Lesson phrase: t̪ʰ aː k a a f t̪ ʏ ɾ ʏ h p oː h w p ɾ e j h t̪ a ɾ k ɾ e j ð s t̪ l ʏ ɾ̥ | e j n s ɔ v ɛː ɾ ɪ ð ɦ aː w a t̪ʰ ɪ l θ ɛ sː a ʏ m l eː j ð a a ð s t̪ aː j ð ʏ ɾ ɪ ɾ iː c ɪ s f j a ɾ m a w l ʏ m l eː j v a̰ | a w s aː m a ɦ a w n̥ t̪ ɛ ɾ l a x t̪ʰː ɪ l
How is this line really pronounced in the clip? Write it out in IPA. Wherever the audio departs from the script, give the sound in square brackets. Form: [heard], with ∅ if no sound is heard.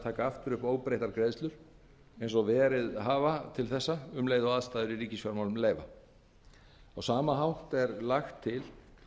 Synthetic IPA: t̪ʰ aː k a a f t̪ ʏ ɾ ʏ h p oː [∅] w p ɾ e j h t̪ a ɾ k ɾ e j ð s t̪ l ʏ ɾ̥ | e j n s ɔ v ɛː ɾ ɪ ð ɦ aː [v] a t̪ʰ ɪ l θ ɛ sː a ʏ m l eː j ð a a ð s t̪ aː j ð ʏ ɾ [i] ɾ iː c ɪ s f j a ɾ m a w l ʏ m l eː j v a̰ | a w s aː m a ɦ a w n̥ t̪ ɛ ɾ l a x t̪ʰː ɪ l